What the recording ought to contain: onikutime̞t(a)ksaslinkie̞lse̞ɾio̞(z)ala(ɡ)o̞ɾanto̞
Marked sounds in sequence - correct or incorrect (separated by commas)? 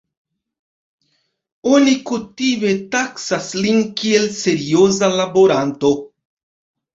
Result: correct, correct, incorrect